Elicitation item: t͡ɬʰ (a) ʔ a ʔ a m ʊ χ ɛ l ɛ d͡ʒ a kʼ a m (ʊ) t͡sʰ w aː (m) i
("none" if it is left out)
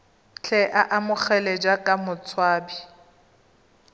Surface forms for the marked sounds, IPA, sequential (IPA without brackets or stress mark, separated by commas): ɛ, ʊ, b